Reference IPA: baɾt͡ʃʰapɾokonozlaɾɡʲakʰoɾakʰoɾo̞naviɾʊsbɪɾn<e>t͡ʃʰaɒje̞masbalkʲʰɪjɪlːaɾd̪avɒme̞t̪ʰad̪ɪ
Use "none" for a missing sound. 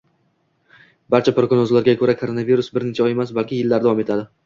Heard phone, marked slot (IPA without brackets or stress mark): e